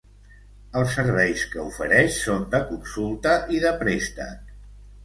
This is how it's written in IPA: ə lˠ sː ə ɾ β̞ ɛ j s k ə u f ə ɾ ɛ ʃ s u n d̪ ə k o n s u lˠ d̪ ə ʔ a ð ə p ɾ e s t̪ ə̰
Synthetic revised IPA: ə lˠ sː ə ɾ β̞ ɛ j s k ə u f ə ɾ ɛ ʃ s o n d̪ ə k u n s u lˠ t̪ ə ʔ i ð ə p ɾ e s t̪ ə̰